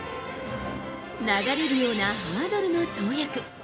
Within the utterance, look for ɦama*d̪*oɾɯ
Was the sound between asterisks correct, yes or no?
yes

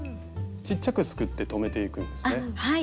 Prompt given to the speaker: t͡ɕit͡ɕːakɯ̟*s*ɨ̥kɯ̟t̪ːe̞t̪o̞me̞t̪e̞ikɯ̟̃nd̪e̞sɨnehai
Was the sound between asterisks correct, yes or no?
yes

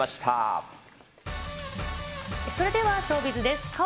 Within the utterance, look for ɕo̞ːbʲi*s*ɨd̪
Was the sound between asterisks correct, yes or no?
no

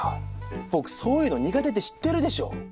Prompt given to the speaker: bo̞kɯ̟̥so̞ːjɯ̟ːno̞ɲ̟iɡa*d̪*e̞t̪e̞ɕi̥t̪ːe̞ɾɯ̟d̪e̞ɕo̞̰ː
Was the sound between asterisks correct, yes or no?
no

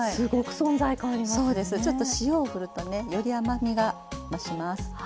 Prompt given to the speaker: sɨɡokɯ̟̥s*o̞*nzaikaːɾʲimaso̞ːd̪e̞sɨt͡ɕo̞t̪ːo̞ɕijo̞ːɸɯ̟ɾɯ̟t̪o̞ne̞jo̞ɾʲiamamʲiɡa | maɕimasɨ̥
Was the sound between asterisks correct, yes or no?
no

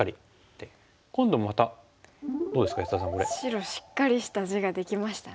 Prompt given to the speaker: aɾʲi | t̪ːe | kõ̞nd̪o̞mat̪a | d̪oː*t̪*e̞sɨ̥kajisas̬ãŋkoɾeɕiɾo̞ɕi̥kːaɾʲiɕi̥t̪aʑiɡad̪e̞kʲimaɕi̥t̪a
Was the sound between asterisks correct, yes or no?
no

